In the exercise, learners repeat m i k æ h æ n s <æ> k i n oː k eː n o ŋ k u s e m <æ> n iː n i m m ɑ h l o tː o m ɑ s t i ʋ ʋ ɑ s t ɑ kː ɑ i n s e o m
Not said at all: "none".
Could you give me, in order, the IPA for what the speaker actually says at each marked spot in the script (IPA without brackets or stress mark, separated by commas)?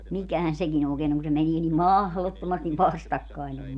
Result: e, e